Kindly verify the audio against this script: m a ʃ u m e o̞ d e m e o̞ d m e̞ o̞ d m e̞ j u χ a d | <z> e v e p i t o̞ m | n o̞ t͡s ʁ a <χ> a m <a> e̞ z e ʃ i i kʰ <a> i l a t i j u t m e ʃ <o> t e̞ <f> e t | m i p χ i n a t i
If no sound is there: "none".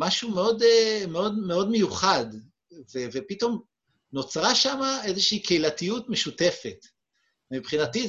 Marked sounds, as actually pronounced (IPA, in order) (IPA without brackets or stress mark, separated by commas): v, ʃ, a, e, u, f